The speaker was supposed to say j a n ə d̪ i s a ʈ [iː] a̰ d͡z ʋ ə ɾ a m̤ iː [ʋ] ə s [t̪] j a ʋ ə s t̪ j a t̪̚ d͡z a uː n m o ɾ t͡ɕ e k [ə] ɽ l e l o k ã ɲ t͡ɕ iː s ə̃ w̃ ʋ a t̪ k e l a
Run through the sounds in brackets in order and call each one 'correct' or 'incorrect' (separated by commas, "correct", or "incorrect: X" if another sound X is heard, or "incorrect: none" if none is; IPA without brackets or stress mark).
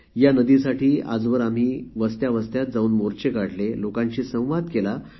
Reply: correct, correct, correct, incorrect: a